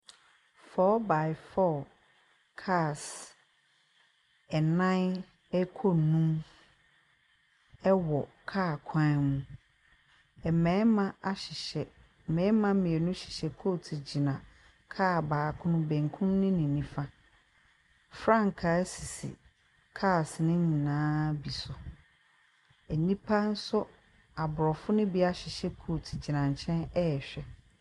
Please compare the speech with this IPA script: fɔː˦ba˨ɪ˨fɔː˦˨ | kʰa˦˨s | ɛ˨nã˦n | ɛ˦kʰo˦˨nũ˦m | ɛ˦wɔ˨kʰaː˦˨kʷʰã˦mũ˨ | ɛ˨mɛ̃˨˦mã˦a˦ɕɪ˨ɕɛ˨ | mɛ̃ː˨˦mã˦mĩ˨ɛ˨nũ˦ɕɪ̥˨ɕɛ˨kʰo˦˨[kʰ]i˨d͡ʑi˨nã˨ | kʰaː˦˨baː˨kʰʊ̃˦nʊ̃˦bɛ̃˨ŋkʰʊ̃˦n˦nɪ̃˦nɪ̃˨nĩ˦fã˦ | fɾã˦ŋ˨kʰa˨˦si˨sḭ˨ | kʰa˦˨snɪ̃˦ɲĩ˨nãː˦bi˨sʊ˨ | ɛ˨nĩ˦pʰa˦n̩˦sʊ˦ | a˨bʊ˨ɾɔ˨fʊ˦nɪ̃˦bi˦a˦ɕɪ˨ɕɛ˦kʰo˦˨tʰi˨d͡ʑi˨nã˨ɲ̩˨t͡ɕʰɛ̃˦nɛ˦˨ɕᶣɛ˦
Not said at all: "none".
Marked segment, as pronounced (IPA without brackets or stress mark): tʰ